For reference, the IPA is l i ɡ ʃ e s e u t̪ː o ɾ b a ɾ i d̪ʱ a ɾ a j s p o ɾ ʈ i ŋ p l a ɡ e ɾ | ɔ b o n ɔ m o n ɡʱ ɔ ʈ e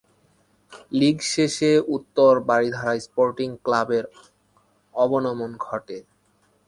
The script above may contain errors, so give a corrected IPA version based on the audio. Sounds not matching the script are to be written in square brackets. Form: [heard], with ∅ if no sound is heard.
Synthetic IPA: l i ɡ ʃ e [ʃ] e u t̪ː o ɾ b a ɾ i d̪ʱ a ɾ a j s p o ɾ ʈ i ŋ [k] l a [b] e ɾ | ɔ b o n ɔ m o n ɡʱ ɔ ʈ e